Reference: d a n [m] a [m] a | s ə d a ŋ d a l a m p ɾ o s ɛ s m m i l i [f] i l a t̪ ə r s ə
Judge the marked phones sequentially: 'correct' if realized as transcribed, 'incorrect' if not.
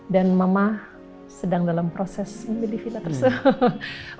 correct, correct, correct

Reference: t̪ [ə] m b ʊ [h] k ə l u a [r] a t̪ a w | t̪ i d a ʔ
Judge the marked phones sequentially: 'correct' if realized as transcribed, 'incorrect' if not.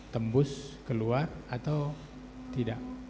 correct, incorrect: s, correct

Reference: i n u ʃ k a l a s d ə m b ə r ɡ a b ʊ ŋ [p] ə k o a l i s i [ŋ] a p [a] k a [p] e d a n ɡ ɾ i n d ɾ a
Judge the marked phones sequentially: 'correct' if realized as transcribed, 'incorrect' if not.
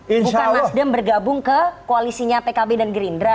incorrect: k, incorrect: ɲ, incorrect: e, incorrect: b

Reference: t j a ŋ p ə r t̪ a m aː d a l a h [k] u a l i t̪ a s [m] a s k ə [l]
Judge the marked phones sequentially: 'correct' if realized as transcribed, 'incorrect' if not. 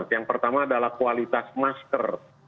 correct, correct, incorrect: r

